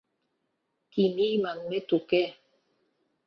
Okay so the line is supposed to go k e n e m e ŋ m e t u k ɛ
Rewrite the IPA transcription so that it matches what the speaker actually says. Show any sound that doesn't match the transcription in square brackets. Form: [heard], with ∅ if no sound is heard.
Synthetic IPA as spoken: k [i] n [i] m [a] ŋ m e t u k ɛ